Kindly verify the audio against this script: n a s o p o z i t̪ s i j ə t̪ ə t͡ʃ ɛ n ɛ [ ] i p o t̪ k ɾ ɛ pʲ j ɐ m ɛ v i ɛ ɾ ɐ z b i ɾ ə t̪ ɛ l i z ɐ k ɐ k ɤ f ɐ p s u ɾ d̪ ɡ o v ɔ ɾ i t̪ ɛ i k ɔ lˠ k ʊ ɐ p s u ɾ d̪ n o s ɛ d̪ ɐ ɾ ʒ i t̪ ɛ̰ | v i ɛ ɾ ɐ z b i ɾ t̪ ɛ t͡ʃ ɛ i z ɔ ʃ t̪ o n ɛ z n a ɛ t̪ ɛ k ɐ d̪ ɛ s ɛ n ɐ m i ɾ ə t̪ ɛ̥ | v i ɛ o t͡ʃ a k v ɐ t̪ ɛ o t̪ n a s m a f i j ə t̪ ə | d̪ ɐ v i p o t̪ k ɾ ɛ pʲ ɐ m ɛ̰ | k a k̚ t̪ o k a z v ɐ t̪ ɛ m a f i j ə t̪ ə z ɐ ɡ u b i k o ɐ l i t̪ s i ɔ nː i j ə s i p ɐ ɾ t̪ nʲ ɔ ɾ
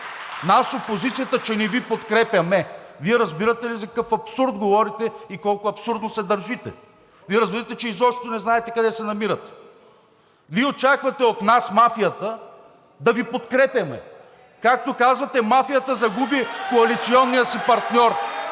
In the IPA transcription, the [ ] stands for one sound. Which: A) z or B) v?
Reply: B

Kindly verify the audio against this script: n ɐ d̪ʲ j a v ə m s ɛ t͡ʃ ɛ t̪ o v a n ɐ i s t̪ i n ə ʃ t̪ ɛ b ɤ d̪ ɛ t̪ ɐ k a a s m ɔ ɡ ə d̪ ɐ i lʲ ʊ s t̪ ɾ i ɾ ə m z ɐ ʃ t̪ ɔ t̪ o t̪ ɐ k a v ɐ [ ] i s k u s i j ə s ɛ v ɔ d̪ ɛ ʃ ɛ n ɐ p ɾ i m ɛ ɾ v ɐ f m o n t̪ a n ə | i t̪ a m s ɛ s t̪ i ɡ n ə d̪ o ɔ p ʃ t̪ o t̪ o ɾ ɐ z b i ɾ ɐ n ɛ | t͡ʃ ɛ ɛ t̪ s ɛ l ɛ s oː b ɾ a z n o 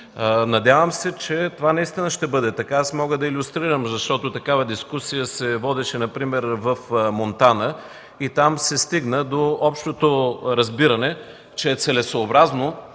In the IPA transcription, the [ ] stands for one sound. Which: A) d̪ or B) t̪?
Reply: A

